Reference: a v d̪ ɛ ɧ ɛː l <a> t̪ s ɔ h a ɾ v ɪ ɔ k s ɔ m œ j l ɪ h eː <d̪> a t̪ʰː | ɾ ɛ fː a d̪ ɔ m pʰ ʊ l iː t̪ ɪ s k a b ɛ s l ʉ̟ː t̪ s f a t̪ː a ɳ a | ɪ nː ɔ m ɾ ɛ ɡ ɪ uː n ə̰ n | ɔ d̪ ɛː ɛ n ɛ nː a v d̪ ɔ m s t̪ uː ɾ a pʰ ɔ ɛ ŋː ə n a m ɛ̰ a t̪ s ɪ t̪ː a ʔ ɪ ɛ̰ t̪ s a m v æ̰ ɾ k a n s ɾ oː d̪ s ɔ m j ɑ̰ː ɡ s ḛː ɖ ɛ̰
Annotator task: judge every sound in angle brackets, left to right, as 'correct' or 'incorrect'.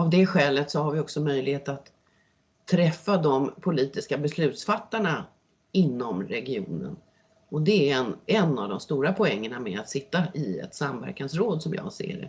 incorrect: ə, incorrect: t̪

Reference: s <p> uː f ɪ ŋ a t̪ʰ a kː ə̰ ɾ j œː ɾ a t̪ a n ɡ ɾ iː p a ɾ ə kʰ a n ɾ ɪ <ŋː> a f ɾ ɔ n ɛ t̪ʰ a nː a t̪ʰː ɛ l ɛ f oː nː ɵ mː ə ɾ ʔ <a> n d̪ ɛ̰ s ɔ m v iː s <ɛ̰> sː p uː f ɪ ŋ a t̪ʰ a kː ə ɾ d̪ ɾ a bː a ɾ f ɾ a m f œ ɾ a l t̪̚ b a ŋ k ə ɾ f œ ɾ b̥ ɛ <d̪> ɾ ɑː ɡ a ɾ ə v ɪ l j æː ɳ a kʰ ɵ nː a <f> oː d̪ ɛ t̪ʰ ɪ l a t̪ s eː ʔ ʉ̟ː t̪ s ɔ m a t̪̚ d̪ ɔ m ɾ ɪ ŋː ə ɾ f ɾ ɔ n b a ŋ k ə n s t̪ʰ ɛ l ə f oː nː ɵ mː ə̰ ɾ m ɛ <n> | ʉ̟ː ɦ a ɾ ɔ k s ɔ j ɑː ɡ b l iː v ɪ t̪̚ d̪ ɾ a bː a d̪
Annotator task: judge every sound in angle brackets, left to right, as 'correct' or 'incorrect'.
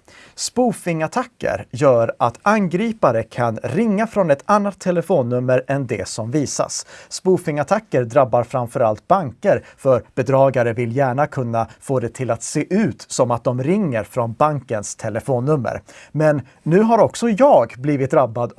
correct, correct, incorrect: ɛ, incorrect: a̰, correct, correct, incorrect: nː

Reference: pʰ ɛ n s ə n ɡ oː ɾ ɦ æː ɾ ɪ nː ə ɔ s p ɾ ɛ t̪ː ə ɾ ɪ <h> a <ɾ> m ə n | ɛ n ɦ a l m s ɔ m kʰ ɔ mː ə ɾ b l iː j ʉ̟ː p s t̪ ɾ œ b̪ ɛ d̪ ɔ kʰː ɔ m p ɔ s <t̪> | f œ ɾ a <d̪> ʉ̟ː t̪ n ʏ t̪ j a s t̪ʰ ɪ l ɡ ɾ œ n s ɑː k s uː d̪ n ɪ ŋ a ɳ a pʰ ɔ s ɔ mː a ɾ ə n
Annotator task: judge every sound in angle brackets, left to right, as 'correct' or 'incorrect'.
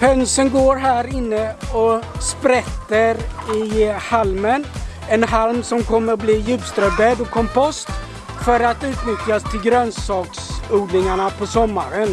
correct, incorrect: l, correct, incorrect: t̪

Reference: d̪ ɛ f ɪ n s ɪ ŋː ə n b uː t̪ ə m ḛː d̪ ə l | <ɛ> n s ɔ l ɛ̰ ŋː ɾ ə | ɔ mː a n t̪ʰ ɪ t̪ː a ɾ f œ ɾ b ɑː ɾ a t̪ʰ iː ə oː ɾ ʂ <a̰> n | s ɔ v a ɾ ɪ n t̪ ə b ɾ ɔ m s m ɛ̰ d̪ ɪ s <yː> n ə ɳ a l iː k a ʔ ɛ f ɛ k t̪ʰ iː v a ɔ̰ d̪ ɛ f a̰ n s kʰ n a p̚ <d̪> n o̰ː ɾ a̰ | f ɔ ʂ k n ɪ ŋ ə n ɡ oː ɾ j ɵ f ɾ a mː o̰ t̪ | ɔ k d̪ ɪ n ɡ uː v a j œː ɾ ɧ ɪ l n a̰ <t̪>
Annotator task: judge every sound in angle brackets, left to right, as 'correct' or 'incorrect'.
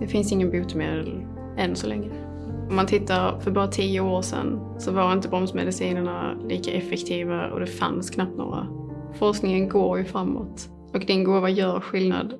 correct, incorrect: ɛ̰, incorrect: iː, incorrect: t̪, incorrect: d̪

